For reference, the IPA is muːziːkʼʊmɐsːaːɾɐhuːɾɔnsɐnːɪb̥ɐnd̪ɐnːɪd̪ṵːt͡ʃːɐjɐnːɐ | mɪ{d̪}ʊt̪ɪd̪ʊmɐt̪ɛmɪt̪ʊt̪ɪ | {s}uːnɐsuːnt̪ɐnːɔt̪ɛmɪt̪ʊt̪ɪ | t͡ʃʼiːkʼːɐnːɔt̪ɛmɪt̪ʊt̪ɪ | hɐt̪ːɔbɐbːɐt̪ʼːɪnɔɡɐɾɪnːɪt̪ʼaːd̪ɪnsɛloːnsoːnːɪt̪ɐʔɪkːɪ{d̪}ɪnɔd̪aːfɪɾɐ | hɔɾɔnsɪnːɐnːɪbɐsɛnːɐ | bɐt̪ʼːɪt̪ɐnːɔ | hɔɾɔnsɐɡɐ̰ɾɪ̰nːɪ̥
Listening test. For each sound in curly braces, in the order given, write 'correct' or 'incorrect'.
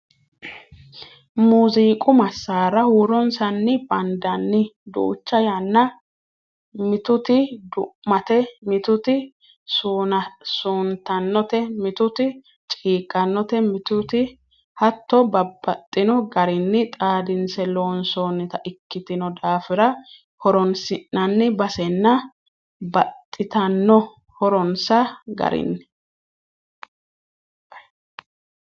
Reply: incorrect, correct, incorrect

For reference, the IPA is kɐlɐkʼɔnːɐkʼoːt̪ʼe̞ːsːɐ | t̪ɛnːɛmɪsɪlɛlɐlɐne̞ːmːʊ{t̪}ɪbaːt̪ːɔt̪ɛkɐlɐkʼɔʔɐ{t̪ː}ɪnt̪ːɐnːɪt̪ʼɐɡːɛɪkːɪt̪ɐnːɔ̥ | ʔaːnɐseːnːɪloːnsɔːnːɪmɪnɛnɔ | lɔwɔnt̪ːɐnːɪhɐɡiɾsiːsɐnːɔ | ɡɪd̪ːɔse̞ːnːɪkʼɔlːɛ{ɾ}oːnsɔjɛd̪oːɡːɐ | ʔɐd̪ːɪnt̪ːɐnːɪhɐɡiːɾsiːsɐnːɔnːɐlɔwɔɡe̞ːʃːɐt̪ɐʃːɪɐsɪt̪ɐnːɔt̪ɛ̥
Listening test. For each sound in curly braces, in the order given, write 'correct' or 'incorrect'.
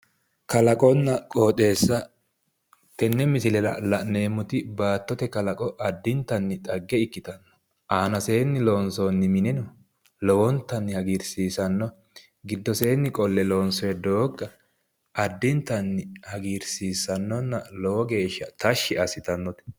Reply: correct, incorrect, incorrect

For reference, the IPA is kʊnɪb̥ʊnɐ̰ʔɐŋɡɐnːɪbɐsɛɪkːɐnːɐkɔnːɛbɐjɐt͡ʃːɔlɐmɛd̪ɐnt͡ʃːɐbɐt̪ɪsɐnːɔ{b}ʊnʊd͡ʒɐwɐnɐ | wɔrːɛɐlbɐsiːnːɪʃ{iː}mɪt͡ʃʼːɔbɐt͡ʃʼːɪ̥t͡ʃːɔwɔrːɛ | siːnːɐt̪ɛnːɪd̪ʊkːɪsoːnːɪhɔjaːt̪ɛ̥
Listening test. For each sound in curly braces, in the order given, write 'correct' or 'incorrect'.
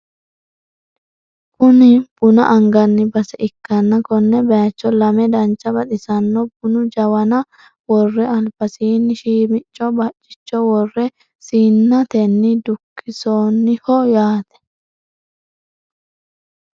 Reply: correct, correct

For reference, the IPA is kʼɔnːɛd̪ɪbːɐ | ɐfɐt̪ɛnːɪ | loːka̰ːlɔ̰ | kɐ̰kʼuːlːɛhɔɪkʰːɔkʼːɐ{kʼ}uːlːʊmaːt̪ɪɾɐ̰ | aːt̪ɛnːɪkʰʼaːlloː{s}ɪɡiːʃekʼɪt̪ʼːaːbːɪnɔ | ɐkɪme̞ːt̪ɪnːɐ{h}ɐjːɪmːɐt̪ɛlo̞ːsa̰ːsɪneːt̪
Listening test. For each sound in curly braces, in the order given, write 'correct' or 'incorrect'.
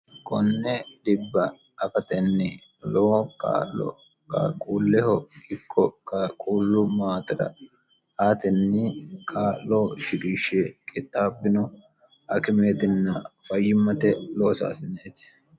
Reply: correct, incorrect, incorrect

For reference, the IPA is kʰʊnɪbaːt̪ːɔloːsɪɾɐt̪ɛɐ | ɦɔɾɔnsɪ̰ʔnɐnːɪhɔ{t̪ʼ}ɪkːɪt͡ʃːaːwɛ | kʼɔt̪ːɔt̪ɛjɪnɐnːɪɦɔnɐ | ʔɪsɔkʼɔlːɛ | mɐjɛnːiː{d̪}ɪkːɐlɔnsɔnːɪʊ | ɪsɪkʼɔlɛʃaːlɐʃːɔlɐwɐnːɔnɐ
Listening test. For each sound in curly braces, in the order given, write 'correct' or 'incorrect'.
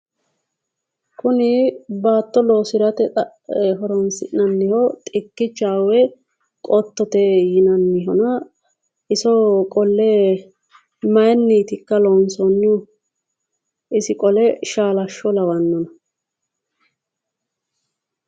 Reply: correct, incorrect

